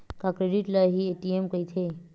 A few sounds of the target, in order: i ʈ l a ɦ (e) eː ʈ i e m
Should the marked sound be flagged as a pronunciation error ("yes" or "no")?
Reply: yes